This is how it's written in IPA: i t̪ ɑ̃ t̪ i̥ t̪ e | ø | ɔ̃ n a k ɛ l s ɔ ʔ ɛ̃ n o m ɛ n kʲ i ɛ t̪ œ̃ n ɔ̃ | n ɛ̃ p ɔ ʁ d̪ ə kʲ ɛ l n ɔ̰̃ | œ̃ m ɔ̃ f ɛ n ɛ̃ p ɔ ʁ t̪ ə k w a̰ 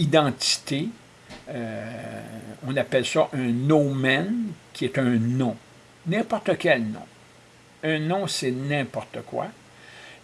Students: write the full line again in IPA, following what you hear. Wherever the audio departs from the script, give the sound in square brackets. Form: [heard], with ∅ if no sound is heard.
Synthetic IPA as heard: i [d̪] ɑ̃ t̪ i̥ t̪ e | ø | ɔ̃ n a [p] ɛ l s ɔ ʔ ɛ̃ n o m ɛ n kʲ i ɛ t̪ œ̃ n ɔ̃ | n ɛ̃ p ɔ ʁ [t̪] ə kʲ ɛ l n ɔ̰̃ | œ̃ [n] ɔ̃ [s] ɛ n ɛ̃ p ɔ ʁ t̪ ə k w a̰